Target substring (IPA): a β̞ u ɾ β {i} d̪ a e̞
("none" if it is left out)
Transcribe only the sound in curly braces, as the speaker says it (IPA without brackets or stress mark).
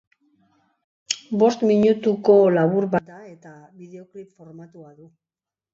a